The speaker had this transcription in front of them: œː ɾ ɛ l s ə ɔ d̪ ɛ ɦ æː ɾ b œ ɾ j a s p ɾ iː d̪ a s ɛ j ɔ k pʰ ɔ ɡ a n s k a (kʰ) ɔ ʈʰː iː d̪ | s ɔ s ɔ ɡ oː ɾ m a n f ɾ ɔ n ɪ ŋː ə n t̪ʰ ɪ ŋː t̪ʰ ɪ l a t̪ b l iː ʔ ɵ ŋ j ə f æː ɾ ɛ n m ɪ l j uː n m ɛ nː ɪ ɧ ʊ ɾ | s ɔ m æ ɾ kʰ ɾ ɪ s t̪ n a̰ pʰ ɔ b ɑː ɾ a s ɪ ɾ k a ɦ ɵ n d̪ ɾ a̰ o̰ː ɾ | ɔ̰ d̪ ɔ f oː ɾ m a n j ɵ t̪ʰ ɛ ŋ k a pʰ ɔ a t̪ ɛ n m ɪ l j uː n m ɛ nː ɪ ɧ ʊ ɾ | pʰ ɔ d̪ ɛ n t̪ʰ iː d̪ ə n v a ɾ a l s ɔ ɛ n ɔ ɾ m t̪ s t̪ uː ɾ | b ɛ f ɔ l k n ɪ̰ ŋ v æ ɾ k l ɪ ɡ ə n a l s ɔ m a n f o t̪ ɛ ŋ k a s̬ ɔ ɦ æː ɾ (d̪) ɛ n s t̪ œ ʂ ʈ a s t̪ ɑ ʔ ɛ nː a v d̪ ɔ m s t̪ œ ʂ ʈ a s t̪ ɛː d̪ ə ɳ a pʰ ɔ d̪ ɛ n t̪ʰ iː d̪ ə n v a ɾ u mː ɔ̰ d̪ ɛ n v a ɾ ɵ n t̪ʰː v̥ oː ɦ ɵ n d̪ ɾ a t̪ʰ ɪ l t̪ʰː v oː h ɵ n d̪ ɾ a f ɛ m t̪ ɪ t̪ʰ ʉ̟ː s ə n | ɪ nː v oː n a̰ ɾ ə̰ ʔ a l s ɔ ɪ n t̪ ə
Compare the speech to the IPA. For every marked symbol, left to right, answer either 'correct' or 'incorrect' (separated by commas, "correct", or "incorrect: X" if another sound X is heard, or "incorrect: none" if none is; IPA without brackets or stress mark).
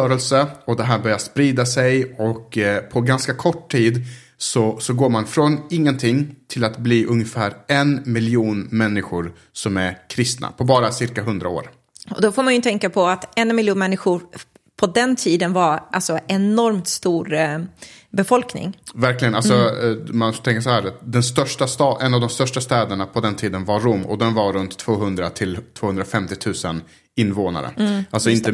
correct, correct